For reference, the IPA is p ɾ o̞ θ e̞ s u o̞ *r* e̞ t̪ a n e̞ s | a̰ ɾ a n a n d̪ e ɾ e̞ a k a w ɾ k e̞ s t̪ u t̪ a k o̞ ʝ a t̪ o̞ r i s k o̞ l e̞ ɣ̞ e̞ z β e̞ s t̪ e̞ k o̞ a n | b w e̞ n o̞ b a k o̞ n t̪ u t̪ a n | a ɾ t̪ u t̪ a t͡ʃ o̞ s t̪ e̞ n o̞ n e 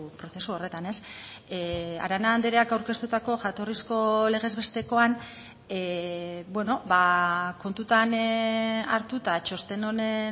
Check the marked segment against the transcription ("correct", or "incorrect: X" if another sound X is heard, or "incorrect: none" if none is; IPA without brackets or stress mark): correct